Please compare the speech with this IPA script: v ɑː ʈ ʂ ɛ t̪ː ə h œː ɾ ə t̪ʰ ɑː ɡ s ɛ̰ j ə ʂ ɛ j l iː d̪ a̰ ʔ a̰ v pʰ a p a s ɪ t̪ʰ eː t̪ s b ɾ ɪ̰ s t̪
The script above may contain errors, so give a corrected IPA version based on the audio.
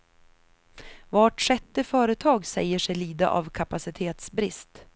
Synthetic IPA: v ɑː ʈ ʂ ɛ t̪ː ə f œː ɾ ə t̪ʰ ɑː ɡ s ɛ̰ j ə ʂ ɛ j l iː d̪ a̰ ʔ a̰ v kʰ a p a s ɪ t̪ʰ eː t̪ s b ɾ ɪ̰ s t̪